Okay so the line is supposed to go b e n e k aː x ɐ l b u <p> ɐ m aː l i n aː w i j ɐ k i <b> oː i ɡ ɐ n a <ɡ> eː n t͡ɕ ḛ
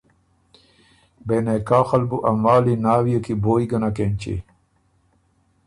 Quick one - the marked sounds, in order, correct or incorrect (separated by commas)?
incorrect, correct, incorrect